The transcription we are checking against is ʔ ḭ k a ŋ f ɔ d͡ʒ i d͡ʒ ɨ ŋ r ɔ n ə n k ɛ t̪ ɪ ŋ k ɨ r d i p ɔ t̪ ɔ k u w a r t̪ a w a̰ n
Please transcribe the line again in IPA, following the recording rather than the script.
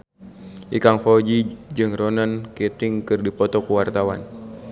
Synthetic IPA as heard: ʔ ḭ k a ŋ f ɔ d͡ʒ i d͡ʒ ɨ ŋ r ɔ n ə n k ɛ t̪ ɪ ŋ k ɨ r d i p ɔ t̪ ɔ k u w a r t̪ a w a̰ n